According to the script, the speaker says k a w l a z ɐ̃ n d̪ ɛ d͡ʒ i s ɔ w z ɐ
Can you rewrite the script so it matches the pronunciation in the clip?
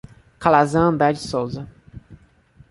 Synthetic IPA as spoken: k a l a z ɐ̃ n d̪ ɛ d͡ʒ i s o w z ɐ

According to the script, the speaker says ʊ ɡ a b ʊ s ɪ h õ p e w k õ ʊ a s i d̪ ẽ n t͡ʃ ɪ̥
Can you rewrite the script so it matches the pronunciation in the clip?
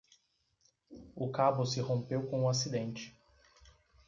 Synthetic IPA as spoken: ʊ k a b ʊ s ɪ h õ p e w k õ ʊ a s i d̪ ẽ n t͡ʃ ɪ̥

